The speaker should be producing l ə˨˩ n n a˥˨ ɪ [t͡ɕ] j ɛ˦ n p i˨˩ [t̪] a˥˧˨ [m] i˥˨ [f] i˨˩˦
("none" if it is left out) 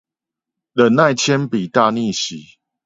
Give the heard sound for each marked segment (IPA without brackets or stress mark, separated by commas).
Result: t͡ɕʰ, t̪, n, ɕ